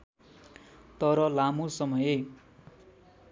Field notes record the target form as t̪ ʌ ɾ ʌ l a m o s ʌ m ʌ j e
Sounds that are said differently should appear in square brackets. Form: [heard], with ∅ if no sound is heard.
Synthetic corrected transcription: t̪ ʌ ɾ ʌ l a m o s ʌ m ʌ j e